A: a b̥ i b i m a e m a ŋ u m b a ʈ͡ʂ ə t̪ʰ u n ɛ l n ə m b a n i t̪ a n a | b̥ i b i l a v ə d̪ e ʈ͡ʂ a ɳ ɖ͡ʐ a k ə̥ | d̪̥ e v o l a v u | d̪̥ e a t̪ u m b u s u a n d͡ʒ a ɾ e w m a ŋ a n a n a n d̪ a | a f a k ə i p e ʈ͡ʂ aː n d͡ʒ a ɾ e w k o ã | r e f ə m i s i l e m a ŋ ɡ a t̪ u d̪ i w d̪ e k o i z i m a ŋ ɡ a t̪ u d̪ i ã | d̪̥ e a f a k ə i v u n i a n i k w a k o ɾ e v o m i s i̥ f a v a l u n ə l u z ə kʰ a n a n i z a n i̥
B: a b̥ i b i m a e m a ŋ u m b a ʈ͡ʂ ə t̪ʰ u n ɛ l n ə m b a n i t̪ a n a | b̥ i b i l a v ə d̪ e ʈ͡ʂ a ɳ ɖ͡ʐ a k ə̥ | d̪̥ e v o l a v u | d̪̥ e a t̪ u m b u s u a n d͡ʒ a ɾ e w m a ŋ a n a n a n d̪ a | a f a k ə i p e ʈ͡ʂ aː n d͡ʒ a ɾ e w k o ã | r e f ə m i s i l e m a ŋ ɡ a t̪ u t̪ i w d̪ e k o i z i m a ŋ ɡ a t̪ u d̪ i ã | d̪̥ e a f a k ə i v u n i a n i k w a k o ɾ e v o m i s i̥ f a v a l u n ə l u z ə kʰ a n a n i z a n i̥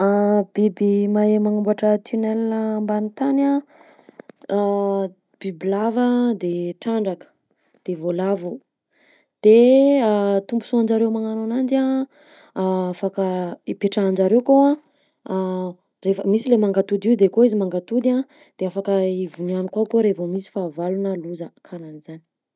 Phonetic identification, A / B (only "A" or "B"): A